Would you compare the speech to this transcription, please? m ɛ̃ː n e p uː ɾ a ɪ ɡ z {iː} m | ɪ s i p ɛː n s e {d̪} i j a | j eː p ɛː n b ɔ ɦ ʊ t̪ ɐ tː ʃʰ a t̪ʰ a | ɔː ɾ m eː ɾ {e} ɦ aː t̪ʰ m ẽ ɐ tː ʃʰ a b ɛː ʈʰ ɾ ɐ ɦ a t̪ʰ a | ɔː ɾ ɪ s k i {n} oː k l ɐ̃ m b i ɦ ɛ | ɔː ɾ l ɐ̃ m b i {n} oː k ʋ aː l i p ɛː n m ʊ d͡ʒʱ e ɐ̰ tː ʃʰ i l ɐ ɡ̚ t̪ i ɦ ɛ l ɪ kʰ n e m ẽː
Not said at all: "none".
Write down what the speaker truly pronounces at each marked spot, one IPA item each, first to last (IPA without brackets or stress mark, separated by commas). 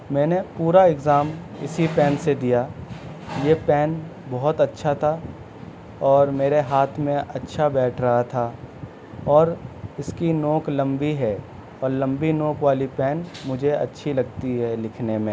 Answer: aː, d̪, e, n, n